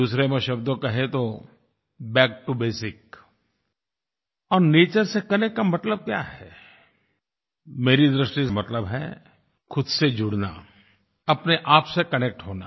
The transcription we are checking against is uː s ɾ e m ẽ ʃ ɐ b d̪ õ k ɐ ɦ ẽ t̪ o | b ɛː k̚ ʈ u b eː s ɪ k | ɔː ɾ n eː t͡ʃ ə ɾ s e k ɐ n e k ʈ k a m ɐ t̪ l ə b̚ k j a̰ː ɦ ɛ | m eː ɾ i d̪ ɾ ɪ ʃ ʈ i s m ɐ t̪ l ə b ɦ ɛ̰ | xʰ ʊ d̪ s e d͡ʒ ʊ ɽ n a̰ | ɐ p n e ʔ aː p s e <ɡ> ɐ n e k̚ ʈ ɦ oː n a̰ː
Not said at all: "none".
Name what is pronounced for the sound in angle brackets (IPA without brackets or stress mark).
k